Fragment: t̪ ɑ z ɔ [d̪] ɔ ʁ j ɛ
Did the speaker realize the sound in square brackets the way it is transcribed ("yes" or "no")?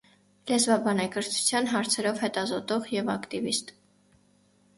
no